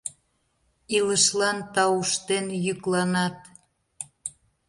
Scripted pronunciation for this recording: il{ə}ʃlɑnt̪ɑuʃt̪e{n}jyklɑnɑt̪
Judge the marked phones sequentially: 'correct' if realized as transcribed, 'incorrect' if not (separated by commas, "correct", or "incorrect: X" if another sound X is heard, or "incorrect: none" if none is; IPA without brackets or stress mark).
correct, correct